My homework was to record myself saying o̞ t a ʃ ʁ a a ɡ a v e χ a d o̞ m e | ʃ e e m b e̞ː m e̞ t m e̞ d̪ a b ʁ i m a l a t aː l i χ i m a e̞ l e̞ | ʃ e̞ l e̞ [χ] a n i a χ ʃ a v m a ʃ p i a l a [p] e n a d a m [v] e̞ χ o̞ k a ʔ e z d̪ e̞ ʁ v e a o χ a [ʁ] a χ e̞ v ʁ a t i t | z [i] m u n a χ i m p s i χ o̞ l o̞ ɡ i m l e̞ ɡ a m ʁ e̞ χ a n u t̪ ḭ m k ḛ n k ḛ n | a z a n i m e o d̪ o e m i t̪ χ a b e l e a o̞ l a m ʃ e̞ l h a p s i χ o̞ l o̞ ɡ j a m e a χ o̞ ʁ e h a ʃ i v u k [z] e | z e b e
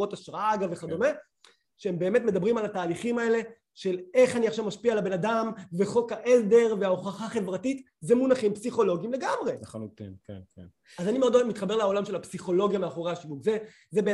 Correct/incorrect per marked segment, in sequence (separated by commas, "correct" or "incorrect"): correct, incorrect, correct, incorrect, incorrect, correct